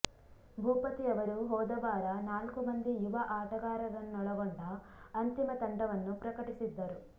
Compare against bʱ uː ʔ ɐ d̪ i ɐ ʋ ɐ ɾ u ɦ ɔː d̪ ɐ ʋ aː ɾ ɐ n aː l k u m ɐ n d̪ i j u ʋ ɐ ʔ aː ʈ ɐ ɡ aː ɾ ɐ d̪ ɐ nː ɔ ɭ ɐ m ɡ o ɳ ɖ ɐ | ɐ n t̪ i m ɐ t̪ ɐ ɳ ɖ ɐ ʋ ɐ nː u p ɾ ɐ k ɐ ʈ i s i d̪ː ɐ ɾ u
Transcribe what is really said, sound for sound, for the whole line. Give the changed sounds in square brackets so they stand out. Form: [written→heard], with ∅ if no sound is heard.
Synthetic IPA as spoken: bʱ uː [ʔ→p] ɐ [d̪→t̪] i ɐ ʋ ɐ ɾ u ɦ ɔː d̪ ɐ ʋ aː ɾ ɐ n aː l k u m ɐ n d̪ i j u ʋ ɐ ʔ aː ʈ ɐ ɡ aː ɾ ɐ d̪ ɐ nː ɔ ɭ ɐ [m→∅] ɡ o ɳ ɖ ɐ | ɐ n t̪ i m ɐ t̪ ɐ ɳ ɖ ɐ ʋ ɐ nː u p ɾ ɐ k ɐ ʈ i s i d̪ː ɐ ɾ u